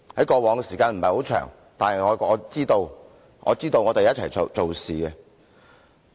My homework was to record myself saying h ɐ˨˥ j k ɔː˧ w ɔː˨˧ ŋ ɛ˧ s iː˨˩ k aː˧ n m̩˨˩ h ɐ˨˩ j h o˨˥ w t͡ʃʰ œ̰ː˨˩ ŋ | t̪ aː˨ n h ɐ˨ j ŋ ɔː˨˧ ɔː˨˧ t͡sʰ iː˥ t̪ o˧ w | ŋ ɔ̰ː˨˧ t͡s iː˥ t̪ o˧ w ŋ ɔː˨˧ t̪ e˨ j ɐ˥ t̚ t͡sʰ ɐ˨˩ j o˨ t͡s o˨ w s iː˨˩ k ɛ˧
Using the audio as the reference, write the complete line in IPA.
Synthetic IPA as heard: h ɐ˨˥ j k ɔː˧ w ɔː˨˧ ŋ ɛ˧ s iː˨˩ k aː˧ n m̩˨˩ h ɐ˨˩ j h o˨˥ w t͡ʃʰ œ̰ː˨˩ ŋ | t̪ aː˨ n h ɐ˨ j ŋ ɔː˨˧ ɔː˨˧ t͡s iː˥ t̪ o˧ w | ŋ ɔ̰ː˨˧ t͡s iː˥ t̪ o˧ w ŋ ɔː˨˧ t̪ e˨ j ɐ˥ t̚ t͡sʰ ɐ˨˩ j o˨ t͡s o˨ w s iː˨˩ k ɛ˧

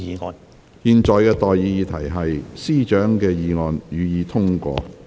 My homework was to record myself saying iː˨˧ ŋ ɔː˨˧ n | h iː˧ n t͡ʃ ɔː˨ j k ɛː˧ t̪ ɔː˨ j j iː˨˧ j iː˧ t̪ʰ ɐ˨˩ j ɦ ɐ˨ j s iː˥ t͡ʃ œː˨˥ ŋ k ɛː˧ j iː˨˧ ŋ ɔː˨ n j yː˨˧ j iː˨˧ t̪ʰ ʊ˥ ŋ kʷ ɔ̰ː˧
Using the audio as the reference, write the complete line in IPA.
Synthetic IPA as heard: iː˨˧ ŋ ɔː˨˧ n | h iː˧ n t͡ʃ ɔː˨ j k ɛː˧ t̪ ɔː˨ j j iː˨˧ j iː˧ t̪ʰ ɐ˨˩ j ɦ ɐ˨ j s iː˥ t͡ʃ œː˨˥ ŋ k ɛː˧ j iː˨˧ ŋ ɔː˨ n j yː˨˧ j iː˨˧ t̪ʰ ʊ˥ ŋ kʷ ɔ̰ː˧

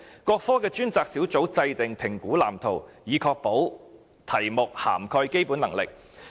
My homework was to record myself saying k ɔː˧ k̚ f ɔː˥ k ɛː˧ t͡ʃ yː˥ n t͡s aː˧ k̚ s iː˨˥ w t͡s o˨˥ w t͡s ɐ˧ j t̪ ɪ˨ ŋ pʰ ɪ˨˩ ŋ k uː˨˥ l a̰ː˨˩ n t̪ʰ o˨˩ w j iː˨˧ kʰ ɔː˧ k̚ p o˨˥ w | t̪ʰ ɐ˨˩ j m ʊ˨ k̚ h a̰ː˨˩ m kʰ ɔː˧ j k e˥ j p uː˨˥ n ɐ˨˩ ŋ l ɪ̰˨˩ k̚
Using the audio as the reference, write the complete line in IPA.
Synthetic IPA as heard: k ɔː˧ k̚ f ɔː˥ k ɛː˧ t͡ʃ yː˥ n t͡s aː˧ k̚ s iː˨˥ w t͡s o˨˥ w t͡s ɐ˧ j t̪ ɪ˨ ŋ pʰ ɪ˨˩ ŋ k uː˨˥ l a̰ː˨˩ m t̪ʰ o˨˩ w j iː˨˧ kʰ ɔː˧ k̚ p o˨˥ w | t̪ʰ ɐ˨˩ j m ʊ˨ k̚ h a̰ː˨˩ m kʰ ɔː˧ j k e˥ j p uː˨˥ n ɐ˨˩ ŋ l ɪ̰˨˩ k̚

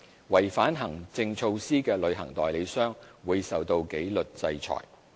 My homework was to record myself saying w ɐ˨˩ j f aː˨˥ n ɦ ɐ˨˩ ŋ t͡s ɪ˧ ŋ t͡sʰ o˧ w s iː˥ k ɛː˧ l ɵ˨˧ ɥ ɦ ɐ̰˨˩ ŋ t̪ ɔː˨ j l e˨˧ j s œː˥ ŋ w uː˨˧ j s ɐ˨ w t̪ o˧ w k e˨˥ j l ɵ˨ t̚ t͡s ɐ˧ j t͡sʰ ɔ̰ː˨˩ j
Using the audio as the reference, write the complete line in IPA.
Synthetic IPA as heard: w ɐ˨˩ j f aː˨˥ n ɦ ɐ˨˩ ŋ t͡s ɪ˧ ŋ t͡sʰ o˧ w s iː˥ k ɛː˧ l ɵ˨˧ ɥ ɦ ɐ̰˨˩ ŋ t̪ ɔː˨ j l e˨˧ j s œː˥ ŋ w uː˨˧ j s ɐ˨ w t̪ o˧ w k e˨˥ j l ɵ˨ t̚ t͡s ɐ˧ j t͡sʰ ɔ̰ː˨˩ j

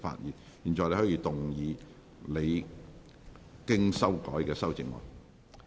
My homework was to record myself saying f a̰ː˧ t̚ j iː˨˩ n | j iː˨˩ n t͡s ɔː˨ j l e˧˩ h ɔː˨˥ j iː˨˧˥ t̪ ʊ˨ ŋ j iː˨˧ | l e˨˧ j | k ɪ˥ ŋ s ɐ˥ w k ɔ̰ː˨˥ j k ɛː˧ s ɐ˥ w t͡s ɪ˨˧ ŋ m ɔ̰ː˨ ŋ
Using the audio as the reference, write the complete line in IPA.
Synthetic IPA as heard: f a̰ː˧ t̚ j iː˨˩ n | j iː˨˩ n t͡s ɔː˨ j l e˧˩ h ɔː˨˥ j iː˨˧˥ t̪ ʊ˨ ŋ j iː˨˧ | l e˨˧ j | k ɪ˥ ŋ s ɐ˥ w k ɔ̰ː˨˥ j k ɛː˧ s ɐ˥ w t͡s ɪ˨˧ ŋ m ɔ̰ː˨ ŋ

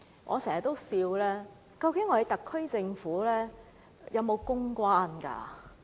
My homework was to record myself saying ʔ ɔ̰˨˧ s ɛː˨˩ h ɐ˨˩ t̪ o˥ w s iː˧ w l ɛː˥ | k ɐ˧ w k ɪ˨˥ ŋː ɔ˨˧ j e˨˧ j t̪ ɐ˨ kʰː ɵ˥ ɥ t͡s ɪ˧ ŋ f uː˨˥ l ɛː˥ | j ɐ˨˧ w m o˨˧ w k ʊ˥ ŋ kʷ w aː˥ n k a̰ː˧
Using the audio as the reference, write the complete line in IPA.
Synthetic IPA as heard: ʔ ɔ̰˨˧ s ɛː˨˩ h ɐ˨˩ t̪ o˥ w s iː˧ w l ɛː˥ | k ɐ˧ w k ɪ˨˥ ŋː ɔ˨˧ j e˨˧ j t̪ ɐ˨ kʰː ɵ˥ ɥ t͡s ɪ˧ ŋ f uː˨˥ l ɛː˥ | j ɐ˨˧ w m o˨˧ w k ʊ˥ ŋ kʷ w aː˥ n k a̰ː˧

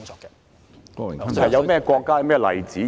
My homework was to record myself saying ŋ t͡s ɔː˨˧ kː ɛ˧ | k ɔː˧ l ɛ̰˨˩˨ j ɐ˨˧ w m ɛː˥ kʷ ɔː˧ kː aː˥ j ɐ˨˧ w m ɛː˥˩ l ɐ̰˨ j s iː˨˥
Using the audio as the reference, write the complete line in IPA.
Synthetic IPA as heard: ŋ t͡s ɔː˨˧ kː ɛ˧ | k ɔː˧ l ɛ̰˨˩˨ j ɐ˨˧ w m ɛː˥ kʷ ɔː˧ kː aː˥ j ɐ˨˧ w m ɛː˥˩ l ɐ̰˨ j t͡s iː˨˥

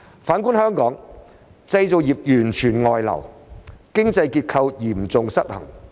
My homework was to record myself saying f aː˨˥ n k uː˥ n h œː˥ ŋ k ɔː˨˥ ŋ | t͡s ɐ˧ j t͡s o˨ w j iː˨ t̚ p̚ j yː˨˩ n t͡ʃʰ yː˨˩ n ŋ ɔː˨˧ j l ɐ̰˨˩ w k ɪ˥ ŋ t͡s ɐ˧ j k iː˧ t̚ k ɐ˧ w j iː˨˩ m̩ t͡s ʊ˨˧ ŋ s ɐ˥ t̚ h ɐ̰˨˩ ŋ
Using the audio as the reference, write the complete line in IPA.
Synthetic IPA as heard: f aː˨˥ n k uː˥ n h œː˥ ŋ k ɔː˨˥ ŋ | t͡s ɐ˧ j t͡s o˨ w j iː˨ p̚ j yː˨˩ n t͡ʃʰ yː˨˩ n ŋ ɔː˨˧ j l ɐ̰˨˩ w k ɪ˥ ŋ t͡s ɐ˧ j k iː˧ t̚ kʰ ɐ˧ w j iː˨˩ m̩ t͡s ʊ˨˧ ŋ s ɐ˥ t̚ h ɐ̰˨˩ ŋ

